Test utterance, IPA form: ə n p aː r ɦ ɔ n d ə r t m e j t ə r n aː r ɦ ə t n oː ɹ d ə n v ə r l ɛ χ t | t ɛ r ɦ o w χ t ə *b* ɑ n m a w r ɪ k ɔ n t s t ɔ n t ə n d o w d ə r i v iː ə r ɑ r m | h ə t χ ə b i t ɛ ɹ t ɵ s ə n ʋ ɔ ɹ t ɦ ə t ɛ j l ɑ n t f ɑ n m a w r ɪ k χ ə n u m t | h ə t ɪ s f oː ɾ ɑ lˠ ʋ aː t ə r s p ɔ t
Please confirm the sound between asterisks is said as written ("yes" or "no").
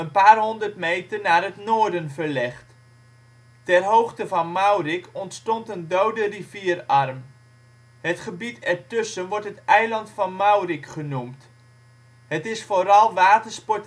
no